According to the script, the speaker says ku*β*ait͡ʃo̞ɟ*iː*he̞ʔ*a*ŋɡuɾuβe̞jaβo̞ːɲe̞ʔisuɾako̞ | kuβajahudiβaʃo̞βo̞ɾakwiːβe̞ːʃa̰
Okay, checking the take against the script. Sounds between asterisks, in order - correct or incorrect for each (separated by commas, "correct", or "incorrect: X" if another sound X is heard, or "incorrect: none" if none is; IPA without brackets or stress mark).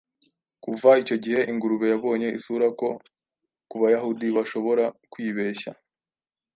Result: incorrect: v, incorrect: i, incorrect: i